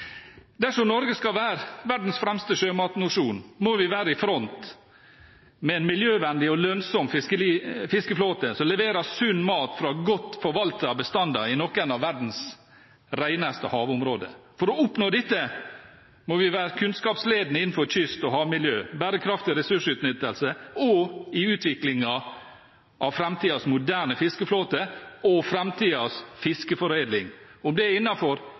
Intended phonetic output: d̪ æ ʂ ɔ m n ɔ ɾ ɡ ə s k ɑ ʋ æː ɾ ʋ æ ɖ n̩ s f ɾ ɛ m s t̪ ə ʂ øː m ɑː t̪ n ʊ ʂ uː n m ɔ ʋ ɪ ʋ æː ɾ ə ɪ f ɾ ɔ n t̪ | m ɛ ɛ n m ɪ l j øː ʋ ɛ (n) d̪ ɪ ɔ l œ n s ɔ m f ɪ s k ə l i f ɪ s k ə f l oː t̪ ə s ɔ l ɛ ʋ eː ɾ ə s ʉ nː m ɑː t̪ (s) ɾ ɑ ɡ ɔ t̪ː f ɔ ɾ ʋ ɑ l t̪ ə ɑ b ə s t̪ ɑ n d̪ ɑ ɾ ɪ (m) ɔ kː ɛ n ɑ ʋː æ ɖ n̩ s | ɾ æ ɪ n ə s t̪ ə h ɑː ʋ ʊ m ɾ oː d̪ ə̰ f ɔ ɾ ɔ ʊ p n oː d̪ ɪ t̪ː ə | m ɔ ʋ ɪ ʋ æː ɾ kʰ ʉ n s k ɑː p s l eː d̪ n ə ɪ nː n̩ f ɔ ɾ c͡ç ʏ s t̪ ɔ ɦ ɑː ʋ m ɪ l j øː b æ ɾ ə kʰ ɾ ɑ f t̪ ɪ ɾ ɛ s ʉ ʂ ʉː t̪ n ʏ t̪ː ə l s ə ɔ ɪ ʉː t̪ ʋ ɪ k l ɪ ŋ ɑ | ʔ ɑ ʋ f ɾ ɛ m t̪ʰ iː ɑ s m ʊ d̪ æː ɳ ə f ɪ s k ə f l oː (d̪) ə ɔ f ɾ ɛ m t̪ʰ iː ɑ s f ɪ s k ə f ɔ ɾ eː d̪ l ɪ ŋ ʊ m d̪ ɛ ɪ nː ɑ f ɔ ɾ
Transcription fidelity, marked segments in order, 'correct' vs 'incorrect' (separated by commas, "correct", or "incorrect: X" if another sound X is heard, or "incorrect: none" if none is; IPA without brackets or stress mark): correct, incorrect: f, incorrect: n, incorrect: t̪